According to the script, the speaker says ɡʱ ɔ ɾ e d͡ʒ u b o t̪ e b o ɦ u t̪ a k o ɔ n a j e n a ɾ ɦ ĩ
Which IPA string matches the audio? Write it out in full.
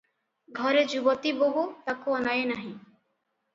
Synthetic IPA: ɡʱ ɔ ɾ e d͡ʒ u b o t̪ i b o ɦ u t̪ a k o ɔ n a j e n a ɦ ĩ